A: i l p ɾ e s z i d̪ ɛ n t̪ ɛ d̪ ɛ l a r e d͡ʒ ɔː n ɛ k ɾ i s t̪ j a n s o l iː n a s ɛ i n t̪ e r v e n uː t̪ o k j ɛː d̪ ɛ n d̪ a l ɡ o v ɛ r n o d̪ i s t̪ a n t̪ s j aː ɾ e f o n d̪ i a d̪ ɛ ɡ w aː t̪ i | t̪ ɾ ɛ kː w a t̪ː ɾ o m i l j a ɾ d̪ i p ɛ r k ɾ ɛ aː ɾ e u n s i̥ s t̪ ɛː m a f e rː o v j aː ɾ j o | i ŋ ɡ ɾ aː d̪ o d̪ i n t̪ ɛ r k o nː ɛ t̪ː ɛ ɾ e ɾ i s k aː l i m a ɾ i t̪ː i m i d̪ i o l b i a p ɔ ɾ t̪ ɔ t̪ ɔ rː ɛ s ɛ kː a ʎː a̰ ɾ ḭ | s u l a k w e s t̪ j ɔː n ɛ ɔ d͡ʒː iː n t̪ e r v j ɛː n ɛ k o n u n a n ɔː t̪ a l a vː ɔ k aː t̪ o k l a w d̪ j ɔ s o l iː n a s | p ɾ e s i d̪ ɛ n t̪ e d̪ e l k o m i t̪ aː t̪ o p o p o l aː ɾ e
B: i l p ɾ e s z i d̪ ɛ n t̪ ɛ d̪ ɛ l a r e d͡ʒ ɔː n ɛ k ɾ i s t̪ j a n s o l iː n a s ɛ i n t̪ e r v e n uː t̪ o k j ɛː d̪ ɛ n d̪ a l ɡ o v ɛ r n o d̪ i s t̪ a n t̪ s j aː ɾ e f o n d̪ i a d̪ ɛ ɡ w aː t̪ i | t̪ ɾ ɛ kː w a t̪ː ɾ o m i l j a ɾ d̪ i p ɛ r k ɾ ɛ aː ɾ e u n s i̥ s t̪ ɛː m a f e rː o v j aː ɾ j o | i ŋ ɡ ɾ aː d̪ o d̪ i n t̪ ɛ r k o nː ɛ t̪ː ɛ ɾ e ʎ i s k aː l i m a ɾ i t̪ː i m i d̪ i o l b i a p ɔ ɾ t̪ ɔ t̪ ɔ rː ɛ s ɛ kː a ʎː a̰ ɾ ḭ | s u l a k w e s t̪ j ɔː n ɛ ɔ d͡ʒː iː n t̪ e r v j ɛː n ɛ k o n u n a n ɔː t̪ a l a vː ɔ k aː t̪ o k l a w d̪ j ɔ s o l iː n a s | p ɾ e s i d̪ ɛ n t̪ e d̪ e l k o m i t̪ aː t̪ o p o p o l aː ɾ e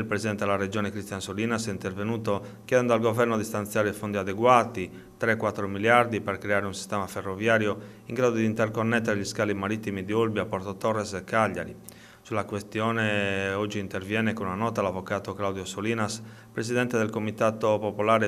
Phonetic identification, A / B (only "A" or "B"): B